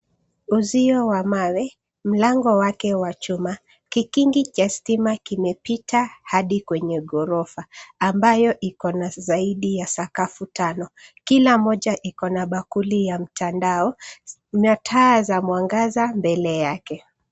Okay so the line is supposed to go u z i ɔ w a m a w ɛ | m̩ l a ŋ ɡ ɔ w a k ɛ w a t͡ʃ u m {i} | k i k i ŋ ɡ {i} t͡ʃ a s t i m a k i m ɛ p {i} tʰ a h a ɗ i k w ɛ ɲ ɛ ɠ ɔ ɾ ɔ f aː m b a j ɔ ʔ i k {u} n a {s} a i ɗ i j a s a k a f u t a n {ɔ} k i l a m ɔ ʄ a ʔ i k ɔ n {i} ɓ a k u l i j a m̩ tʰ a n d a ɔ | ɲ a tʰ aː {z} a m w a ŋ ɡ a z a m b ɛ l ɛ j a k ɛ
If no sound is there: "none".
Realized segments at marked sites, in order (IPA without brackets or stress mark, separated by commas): a, i, i, ɔ, z, ɔ, a, z